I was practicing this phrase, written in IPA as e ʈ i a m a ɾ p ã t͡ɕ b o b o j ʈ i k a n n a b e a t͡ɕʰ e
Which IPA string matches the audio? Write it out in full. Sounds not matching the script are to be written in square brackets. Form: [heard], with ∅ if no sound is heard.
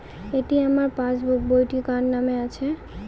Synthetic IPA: e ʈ i a m a ɾ p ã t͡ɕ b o b o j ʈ i k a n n a [m] e a t͡ɕʰ e